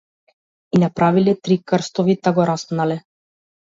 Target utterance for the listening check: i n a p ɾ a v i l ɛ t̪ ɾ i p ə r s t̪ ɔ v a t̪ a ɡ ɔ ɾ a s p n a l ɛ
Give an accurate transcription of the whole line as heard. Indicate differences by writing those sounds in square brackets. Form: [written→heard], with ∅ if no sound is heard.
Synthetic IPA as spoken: i n a p ɾ a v i l ɛ t̪ ɾ i [p→k] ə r s t̪ ɔ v [a→i] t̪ a ɡ ɔ ɾ a s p n a l ɛ